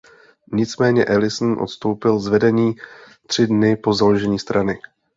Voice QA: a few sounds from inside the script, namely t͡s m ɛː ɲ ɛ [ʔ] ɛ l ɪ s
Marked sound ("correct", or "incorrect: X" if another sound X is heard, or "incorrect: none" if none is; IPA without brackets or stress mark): correct